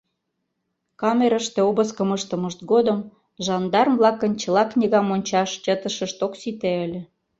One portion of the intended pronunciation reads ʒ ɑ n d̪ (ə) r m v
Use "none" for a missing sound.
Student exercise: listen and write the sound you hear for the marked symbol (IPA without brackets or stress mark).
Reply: ɑ